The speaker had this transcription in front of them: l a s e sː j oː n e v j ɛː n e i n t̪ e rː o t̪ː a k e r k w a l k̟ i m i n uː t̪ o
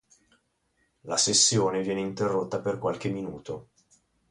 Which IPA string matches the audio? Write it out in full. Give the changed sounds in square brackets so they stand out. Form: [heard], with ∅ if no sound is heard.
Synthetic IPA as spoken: l a s e sː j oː n e v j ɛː n e i n t̪ e rː o t̪ː a [p] e r k w a l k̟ [e] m i n uː t̪ o